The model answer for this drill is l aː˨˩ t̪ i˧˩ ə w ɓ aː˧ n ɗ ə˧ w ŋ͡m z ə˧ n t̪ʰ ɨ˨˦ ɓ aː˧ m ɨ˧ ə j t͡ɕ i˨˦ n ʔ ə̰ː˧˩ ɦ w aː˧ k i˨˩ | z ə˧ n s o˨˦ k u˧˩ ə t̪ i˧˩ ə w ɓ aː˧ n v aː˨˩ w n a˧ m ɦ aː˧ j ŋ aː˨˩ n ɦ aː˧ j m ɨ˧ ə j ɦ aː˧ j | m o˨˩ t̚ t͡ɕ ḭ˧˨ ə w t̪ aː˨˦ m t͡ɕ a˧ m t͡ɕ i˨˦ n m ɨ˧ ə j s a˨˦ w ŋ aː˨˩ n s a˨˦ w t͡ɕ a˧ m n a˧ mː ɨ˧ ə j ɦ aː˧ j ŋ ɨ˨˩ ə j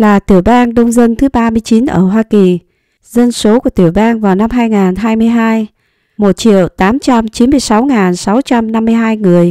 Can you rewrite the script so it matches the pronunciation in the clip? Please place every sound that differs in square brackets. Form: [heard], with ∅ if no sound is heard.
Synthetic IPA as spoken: l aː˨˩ t̪ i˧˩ ə w ɓ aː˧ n ɗ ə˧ w ŋ͡m z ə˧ n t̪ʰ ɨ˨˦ ɓ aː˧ m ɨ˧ ə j t͡ɕ i˨˦ n ʔ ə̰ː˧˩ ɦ w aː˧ k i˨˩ | z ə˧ n s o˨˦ k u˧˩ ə t̪ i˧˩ ə w ɓ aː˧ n v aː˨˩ w n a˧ m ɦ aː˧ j ŋ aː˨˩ n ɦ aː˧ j m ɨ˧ ə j ɦ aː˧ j | m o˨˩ t̚ t͡ɕ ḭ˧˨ ə w t̪ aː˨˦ m t͡ɕ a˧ m t͡ɕ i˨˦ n m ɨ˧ ə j s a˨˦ w ŋ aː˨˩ n s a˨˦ w t͡ɕ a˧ m n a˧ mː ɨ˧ ə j ɦ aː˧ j ŋ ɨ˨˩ ə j